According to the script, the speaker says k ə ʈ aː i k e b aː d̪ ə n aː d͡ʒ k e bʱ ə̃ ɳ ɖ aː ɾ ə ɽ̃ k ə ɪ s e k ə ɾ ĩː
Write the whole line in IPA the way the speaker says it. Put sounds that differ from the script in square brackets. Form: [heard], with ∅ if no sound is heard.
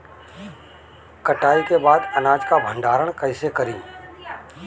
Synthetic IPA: k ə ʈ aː i k e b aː d̪ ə n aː d͡ʒ k [a] bʱ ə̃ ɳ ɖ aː ɾ ə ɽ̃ k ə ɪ s e k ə ɾ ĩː